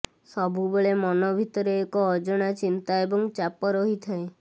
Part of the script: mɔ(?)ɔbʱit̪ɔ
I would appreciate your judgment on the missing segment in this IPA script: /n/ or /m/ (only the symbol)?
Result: n